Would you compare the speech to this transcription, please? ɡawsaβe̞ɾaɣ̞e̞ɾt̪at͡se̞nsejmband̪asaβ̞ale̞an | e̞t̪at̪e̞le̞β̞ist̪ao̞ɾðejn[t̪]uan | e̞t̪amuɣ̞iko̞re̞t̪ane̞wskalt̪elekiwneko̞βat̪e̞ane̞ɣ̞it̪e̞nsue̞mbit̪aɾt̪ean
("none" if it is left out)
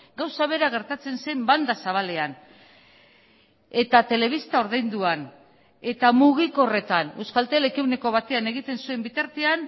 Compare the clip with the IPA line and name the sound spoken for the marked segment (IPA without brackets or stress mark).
d̪